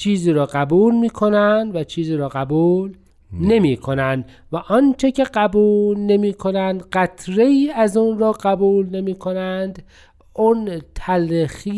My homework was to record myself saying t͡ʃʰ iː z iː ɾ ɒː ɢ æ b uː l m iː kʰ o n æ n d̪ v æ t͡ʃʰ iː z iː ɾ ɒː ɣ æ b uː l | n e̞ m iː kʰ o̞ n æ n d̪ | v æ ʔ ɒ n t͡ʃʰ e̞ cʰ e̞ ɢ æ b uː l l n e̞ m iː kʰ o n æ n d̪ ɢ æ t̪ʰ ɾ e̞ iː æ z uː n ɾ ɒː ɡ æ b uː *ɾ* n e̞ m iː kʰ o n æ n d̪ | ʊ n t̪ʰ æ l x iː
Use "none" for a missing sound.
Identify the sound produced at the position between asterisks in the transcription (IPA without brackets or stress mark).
l